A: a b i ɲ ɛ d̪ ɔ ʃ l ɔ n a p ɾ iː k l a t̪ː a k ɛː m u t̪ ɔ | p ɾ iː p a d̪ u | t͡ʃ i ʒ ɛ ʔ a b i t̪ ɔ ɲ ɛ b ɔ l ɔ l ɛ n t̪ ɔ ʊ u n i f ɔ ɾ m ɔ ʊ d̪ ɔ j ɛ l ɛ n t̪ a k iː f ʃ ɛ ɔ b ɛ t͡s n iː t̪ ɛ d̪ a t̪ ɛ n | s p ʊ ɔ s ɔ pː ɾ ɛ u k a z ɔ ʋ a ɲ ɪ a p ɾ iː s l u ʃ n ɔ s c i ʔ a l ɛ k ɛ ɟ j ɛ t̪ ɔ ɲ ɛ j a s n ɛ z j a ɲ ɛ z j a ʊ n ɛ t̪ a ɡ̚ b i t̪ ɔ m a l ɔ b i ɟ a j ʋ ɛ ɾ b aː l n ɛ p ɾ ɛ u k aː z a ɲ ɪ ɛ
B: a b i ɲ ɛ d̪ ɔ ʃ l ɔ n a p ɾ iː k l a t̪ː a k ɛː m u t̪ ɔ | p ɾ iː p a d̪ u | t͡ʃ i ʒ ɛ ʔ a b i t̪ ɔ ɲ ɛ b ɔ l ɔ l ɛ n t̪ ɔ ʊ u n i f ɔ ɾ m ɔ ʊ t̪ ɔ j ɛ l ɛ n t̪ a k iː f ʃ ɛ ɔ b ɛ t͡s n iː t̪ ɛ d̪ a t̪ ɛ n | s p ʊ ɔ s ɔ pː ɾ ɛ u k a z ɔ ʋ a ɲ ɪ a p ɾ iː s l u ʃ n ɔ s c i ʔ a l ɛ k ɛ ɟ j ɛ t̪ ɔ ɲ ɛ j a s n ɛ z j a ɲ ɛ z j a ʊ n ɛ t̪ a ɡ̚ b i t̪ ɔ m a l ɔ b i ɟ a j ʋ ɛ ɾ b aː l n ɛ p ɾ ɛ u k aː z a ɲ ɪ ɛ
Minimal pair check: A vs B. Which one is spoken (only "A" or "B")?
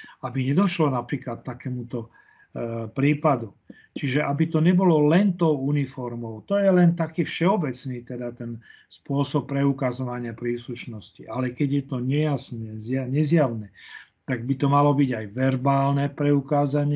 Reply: B